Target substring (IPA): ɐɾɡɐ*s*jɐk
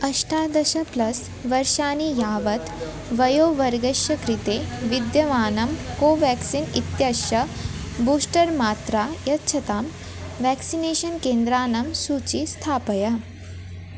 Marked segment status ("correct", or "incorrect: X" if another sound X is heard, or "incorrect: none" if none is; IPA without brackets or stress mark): incorrect: ʃ